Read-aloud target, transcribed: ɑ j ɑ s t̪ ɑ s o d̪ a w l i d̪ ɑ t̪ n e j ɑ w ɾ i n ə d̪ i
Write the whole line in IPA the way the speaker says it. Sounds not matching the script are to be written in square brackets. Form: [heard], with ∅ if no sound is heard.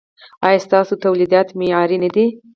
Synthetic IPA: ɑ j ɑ s t̪ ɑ s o [t̪] a w l i d̪ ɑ t̪ [m] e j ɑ [∅] ɾ i n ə d̪ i